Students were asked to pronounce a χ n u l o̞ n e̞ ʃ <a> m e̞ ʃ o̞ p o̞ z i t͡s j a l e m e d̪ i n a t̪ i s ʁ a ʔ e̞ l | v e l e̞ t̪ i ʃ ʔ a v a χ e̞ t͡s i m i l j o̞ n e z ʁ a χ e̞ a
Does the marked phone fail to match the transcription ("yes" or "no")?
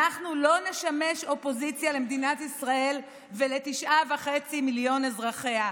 no